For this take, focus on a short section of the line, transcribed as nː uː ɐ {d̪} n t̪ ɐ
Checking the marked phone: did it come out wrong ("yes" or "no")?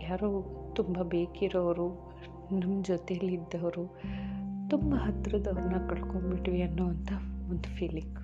yes